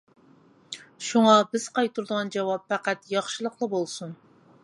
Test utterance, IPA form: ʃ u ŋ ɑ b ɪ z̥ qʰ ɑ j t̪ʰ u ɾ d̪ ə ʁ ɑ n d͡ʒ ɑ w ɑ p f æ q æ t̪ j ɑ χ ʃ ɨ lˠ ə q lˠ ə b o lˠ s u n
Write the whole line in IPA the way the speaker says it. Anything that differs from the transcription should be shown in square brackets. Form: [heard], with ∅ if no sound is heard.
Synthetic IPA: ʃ u ŋ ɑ b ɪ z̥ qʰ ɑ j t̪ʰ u ɾ d̪ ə ʁ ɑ n d͡ʒ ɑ w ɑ p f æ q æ t̪ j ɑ χ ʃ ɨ lˠ ə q lˠ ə b o lˠ s u n